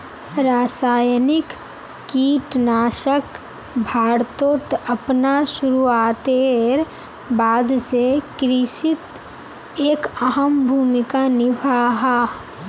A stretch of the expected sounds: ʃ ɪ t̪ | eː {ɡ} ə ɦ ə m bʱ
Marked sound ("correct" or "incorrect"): incorrect